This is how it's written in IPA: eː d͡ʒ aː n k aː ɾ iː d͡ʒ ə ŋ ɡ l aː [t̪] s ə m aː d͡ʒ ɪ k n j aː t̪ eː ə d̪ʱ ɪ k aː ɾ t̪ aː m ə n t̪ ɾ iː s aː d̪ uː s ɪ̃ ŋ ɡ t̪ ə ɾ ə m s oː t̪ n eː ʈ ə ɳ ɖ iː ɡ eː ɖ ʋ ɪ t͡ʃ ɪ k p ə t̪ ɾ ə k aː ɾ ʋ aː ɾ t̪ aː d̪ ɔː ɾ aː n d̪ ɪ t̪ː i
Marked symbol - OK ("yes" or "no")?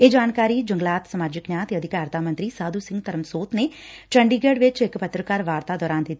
yes